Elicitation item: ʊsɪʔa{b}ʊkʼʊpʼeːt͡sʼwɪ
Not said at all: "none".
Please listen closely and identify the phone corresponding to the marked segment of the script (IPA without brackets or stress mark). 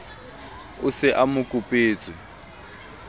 m